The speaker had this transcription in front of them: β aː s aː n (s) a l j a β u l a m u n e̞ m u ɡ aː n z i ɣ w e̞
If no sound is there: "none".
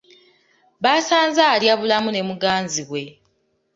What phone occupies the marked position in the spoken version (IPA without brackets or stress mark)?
z